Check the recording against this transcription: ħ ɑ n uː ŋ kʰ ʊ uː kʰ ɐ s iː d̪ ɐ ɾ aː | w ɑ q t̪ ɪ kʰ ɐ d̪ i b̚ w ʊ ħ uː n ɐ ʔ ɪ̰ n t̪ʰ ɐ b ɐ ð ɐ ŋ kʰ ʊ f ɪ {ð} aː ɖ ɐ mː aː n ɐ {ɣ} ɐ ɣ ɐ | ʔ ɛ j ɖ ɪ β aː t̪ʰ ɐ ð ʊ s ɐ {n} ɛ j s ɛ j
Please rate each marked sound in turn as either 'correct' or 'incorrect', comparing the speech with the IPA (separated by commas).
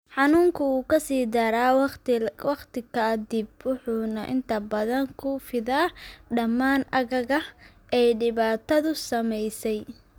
correct, correct, incorrect